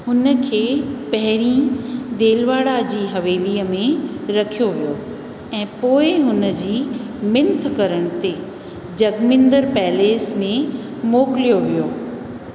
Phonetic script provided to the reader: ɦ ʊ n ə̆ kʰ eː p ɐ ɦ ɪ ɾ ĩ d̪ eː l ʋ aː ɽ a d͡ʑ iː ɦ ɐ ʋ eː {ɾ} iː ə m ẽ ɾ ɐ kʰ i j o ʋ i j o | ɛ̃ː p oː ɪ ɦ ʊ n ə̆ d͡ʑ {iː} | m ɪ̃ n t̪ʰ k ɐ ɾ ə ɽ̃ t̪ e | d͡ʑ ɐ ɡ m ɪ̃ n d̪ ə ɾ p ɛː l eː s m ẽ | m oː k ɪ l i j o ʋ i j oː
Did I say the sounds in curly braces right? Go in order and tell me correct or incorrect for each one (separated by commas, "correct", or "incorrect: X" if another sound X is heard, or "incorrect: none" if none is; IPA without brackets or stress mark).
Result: incorrect: l, correct